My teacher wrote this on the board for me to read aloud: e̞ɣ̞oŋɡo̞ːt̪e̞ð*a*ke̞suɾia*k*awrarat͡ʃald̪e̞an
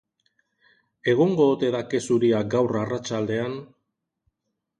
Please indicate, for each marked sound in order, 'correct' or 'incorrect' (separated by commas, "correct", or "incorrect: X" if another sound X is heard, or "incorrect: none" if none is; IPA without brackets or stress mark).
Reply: correct, incorrect: ɡ